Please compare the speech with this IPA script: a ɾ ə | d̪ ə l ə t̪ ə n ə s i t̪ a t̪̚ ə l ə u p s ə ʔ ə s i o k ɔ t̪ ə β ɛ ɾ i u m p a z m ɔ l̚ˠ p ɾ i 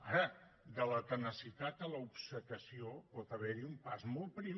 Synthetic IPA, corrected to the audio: a ɾ ə | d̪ ə l ə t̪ ə n ə s i t̪ a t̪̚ ə l ə u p s ə k ə s i o p ɔ t̪ ə β ɛ ɾ i u m p a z m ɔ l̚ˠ p ɾ i